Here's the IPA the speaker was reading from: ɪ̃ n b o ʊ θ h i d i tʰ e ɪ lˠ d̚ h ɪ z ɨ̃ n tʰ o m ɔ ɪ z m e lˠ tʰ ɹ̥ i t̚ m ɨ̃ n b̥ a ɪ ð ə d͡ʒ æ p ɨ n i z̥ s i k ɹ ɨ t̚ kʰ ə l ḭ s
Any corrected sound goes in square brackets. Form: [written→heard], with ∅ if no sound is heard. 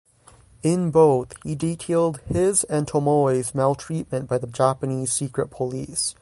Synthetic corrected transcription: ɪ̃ n b o ʊ θ h i d i tʰ e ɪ lˠ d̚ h ɪ z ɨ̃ n tʰ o m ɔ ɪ z m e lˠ tʰ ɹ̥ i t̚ m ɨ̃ n b̥ a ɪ ð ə d͡ʒ æ p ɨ n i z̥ s i k ɹ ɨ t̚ [kʰ→pʰ] ə l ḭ s